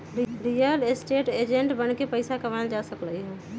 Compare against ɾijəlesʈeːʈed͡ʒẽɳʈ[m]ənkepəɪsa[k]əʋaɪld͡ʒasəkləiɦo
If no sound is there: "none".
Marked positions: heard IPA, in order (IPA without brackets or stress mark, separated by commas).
b, k